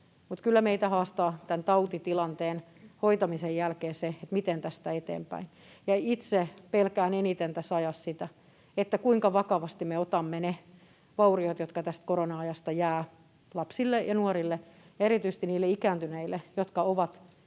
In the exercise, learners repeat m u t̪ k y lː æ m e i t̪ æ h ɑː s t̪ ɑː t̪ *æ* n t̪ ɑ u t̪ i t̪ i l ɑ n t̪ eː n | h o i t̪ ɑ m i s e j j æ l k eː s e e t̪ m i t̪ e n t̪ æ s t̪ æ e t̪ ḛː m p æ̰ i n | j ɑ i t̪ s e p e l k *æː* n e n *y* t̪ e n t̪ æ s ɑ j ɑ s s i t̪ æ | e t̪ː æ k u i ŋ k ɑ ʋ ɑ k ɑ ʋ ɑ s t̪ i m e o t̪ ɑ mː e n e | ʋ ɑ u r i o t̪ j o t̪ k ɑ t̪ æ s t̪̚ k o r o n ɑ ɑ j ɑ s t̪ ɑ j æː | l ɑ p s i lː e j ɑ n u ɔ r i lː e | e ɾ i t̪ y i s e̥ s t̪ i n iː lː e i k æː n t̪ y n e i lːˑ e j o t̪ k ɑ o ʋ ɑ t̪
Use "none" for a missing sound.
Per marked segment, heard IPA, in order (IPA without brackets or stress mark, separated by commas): æ, æː, i